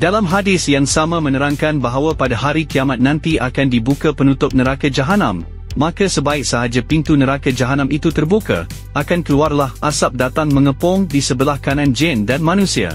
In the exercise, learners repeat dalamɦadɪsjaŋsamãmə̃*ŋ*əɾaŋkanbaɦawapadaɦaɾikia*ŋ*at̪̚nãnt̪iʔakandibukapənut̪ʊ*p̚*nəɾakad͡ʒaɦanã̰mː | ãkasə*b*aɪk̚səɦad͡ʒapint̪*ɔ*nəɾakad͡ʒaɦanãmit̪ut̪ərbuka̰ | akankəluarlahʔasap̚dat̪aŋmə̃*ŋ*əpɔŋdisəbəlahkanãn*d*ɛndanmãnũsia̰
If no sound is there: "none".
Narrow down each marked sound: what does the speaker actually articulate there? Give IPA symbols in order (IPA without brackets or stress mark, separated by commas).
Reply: n, m, p̚, b, u, ŋ, d͡ʒ